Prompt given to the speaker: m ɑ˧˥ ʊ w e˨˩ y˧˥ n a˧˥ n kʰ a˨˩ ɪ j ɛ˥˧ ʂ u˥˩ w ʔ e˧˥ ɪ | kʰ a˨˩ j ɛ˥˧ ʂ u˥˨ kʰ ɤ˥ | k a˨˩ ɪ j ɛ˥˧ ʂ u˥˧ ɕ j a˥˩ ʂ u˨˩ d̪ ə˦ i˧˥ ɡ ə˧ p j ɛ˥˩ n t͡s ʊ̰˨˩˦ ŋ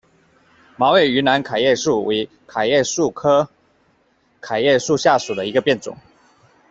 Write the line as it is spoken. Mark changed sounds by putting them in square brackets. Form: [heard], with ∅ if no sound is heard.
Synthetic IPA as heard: m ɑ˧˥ ʊ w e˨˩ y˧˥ n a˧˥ n kʰ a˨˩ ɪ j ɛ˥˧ ʂ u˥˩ w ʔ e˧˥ ɪ | kʰ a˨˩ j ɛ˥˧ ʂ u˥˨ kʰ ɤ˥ | [kʰ] a˨˩ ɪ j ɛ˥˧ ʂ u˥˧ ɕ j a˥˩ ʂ u˨˩ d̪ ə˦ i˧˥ ɡ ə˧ p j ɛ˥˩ n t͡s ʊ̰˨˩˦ ŋ